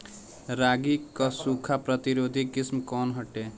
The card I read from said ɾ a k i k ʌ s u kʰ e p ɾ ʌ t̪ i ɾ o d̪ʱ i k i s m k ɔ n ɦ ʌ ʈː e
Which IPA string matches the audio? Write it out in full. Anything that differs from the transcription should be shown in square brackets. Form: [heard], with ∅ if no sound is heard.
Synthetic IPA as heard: ɾ a [ɡ] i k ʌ s u kʰ [a] p ɾ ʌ t̪ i ɾ o d̪ʱ i k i s m k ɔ n ɦ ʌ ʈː e